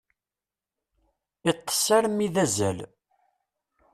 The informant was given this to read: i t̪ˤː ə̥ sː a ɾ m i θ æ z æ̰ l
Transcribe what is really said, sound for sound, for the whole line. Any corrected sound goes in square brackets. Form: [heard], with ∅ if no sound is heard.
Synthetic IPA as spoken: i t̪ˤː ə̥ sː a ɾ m i [ð] æ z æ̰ l

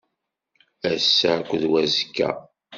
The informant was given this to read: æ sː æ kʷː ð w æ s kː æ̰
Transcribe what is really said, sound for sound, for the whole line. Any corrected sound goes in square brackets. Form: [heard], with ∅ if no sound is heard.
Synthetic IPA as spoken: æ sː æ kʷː ð w æ [z] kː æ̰

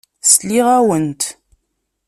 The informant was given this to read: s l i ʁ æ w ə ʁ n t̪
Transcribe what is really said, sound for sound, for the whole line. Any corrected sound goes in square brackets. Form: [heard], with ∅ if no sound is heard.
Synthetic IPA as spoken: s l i ʁ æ w ə [∅] n t̪

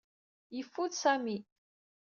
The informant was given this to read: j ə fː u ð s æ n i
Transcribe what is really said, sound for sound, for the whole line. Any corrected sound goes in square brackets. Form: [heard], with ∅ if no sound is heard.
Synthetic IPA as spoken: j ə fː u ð s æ [m] i

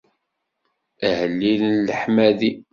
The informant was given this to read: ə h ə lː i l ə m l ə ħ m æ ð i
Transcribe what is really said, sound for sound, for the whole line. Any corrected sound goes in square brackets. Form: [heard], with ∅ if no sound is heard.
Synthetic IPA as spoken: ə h ə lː i l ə [n] l ə ħ m æ ð i

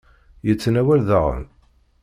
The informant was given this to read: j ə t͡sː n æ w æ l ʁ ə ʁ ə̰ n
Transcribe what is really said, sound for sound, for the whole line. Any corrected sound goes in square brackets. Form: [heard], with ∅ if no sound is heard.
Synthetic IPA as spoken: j ə t͡sː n æ w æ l [ð] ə ʁ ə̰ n

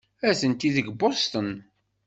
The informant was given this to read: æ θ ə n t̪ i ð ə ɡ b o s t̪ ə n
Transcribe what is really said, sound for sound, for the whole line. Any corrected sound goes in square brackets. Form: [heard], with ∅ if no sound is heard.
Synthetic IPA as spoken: æ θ ə n t̪ i ð ə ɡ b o s t̪ ə n

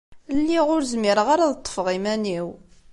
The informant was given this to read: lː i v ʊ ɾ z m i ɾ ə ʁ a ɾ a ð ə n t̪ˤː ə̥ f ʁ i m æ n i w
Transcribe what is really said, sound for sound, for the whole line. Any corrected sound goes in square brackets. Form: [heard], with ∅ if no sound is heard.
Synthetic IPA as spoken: lː i [ʁ] ʊ ɾ z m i ɾ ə ʁ a ɾ a ð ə [∅] t̪ˤː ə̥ f ʁ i m æ n i w

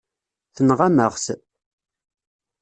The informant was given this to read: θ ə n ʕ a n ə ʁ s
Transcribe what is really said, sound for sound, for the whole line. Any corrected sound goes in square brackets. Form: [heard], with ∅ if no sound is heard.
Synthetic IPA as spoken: θ ə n [ʁ] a [m] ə ʁ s

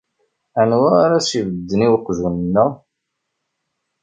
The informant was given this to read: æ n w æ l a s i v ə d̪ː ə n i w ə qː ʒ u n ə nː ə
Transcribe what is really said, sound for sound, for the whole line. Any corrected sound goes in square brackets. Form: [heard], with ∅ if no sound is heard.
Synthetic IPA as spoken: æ n w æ [ɾ] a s i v ə d̪ː ə n i w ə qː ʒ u n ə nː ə

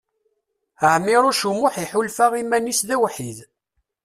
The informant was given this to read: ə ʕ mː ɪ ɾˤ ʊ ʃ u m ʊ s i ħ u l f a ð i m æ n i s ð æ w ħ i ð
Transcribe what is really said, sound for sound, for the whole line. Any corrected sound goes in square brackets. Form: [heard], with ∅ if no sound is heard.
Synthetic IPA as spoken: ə ʕ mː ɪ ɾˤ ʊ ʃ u m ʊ [ħ] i ħ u l f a [ʁ] i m æ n i s ð æ w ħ i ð

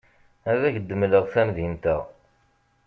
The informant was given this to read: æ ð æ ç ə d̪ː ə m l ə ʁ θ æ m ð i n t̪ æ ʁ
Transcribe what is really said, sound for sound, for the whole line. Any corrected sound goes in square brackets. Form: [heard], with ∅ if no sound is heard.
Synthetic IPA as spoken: æ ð æ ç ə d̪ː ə m l ə ʁ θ æ m ð i n t̪ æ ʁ

